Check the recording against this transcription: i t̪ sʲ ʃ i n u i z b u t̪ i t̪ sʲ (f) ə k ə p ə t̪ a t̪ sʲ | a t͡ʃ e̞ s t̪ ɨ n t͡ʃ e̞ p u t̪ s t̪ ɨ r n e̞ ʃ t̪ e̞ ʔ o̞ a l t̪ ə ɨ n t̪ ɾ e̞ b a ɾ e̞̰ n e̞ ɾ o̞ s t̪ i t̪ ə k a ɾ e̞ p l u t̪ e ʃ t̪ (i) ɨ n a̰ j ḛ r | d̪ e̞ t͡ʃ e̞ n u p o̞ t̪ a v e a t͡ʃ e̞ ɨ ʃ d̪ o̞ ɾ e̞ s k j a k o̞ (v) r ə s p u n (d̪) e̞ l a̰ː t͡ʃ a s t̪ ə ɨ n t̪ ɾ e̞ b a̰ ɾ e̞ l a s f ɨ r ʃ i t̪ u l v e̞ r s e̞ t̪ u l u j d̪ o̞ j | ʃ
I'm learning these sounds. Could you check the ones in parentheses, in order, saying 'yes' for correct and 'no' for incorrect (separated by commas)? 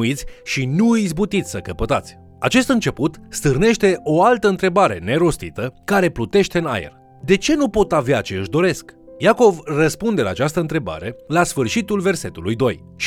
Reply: no, no, yes, yes